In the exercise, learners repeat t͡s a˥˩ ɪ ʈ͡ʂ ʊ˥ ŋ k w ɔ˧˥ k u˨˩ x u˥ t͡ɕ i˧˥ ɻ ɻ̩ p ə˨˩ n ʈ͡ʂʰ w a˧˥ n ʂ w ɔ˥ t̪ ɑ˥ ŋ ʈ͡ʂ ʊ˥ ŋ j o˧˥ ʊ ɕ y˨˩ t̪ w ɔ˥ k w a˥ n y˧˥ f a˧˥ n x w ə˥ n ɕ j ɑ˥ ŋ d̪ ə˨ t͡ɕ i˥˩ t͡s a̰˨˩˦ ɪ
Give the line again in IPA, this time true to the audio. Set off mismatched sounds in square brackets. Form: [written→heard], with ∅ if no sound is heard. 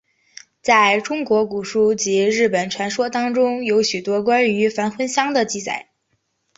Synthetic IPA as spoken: t͡s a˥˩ ɪ ʈ͡ʂ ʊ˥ ŋ k w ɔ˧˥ k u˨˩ [x→ʂ] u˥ t͡ɕ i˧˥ ɻ ɻ̩ p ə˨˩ n ʈ͡ʂʰ w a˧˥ n ʂ w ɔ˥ t̪ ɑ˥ ŋ ʈ͡ʂ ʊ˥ ŋ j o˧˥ ʊ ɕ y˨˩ t̪ w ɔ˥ k w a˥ n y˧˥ f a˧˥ n x w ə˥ n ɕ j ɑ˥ ŋ d̪ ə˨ t͡ɕ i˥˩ t͡s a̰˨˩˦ ɪ